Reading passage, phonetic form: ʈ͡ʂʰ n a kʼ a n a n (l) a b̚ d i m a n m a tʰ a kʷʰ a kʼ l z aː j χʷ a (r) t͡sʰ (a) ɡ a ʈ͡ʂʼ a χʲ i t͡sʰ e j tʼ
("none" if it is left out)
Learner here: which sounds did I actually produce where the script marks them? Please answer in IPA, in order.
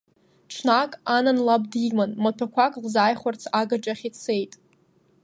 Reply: l, r, a

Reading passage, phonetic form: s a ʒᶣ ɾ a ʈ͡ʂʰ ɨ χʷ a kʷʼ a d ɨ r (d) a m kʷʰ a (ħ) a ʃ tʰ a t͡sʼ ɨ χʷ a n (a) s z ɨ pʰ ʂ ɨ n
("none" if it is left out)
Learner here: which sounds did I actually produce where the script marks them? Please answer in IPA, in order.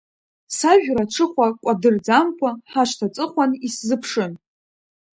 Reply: d͡z, ħ, i

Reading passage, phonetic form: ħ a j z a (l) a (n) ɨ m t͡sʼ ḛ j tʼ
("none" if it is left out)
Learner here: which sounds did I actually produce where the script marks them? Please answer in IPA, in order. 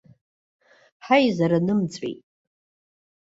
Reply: ɾ, n

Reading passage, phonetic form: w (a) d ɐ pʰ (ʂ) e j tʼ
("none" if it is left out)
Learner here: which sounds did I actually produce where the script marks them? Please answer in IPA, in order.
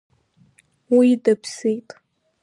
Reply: i, s

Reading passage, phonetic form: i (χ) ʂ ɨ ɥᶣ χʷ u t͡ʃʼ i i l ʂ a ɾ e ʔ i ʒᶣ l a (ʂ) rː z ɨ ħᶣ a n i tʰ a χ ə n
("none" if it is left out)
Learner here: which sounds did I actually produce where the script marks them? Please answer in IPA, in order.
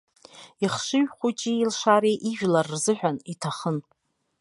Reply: χ, none

